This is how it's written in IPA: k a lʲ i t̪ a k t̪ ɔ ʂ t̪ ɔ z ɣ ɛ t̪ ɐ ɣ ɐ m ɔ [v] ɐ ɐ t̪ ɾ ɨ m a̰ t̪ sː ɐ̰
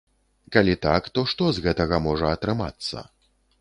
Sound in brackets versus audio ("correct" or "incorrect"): incorrect